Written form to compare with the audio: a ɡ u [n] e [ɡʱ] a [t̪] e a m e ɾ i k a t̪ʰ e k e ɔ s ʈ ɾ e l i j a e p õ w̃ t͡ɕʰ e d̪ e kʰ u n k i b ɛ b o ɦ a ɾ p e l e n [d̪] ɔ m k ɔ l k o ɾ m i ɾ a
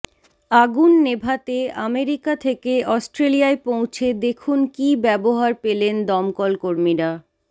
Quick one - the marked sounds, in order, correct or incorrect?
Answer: incorrect: nː, incorrect: bʱ, correct, correct

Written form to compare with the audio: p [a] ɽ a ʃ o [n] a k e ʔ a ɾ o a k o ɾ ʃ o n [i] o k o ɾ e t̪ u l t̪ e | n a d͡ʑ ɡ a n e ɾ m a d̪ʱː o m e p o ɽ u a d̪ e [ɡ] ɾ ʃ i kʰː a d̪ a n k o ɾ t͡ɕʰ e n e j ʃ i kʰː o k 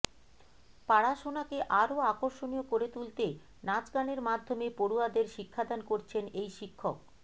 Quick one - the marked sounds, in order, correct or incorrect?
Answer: correct, correct, correct, incorrect: none

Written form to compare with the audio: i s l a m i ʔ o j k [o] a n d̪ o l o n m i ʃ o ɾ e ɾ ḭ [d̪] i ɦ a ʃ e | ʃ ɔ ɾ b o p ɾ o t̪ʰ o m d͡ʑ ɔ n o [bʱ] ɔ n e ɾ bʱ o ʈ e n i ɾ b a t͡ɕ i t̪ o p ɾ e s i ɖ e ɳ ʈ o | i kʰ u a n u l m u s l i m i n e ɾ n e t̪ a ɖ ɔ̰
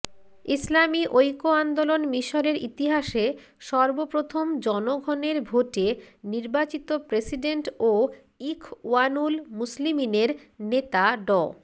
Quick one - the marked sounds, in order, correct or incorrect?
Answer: correct, incorrect: t̪, incorrect: ɡʱ

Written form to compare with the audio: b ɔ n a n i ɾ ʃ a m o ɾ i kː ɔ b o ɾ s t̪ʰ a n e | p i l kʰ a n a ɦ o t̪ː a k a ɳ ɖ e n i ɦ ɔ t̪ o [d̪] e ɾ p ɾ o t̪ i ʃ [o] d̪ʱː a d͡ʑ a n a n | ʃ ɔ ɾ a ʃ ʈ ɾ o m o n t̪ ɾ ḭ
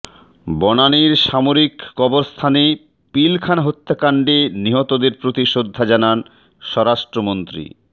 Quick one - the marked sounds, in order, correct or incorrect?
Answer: correct, correct

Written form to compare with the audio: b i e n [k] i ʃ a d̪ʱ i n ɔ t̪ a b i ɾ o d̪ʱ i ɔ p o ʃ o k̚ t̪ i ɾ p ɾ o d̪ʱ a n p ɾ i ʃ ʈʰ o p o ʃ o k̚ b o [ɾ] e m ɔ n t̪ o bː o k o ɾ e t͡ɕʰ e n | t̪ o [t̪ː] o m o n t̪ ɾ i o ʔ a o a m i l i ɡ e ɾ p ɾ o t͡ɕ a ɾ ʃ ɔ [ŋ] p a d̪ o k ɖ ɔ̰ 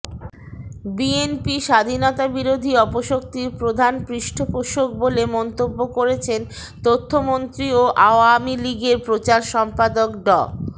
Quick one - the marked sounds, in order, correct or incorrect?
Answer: incorrect: p, incorrect: l, incorrect: t̪ʰː, incorrect: m

